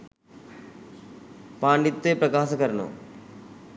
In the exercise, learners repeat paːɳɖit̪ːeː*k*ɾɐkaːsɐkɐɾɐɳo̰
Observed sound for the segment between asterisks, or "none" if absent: p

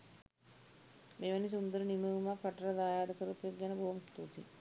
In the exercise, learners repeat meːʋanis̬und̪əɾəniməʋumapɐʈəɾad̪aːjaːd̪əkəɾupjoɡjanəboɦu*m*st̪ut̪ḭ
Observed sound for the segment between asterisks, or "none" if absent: m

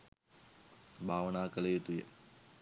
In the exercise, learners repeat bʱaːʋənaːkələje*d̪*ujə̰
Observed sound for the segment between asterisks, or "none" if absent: t̪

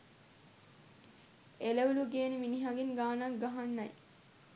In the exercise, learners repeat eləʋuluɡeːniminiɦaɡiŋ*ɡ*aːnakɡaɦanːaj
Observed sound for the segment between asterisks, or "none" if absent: ɡ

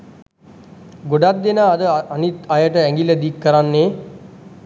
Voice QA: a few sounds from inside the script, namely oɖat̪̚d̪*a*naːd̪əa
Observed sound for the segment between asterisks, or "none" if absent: e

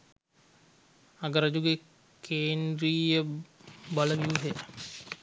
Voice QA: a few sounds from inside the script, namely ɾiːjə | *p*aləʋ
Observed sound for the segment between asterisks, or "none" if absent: b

